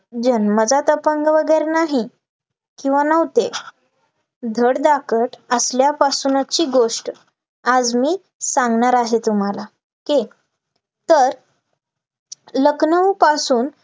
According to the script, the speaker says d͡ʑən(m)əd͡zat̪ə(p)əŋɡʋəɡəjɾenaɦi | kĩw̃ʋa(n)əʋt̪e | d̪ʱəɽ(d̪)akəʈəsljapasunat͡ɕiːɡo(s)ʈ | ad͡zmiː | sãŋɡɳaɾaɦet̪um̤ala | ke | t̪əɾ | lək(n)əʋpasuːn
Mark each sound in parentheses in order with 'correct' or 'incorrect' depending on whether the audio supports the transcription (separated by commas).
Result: correct, correct, correct, correct, incorrect, correct